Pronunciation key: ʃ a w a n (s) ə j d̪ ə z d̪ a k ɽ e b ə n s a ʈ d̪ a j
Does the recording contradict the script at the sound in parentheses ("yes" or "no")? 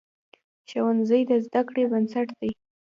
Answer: yes